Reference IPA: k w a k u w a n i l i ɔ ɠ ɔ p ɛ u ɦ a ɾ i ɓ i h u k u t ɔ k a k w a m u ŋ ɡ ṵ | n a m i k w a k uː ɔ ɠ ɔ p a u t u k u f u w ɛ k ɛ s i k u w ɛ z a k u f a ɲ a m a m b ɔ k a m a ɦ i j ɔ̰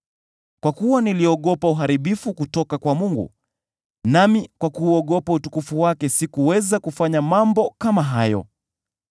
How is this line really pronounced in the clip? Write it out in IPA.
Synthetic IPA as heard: k w a k u w a n i l i ɔ ɠ ɔ p a u ɦ a ɾ i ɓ i f u k u t ɔ k a k w a m u ŋ ɡ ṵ | n a m i k w a k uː ɔ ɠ ɔ p a u t u k u f u w a k ɛ s i k u w ɛ z a k u f a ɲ a m a m b ɔ k a m a ɦ a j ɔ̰